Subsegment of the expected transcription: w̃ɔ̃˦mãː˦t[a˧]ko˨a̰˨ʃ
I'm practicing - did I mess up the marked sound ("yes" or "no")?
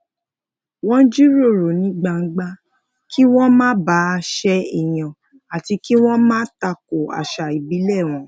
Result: no